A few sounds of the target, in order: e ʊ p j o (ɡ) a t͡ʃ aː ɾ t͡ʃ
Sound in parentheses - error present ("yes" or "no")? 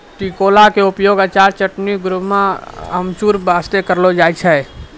no